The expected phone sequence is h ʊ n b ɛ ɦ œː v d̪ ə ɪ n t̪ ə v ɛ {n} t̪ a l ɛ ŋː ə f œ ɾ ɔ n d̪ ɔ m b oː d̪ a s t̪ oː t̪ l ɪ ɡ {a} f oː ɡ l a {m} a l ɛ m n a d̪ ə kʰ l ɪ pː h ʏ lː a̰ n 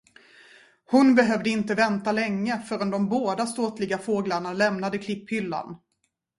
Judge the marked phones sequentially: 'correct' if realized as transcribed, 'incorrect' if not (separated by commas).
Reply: correct, correct, incorrect